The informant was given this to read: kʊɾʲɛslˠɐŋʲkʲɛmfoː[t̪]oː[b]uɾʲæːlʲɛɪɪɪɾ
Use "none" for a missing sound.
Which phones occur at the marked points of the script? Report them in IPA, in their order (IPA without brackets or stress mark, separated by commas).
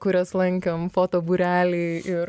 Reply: t̪, b